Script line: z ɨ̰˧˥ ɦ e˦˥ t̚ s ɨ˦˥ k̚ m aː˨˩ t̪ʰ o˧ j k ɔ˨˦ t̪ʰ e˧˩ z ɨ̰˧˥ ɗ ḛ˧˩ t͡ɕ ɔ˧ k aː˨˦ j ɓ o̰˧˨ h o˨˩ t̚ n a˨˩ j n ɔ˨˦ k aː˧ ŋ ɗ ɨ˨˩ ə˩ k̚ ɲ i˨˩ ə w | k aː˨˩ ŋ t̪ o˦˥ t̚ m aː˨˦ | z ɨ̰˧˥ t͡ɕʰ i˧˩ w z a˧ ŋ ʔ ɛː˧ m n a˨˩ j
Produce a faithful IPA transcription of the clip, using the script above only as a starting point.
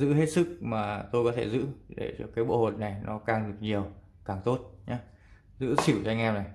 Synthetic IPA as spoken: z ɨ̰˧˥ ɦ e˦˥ t̚ s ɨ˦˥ k̚ m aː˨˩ t̪ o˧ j k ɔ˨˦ t̪ʰ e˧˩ z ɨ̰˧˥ ɗ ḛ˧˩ t͡ɕ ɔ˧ k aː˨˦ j ɓ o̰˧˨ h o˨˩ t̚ n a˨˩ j n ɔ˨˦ k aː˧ ŋ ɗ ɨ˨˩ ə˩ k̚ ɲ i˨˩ ə w | k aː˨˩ ŋ t̪ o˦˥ t̚ ɲ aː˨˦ | z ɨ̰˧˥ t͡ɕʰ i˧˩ w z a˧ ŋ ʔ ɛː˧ m n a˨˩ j